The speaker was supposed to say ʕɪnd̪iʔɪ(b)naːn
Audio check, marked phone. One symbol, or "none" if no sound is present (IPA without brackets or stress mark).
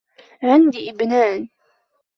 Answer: b